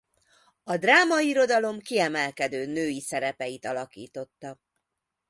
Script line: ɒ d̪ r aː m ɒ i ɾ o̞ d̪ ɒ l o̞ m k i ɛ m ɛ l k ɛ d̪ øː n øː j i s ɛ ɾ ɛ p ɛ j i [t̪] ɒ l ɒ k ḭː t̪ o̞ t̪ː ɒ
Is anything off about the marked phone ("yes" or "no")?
no